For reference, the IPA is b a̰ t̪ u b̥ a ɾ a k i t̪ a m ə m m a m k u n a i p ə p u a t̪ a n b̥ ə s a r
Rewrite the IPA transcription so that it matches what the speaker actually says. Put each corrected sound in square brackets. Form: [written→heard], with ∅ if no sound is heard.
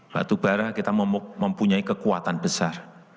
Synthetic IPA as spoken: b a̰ t̪ u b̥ a ɾ a k i t̪ a m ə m m [a→ə] m [k→p] u [n→ɲ] a i [p→k] ə [p→k] u a t̪ a n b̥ ə s a r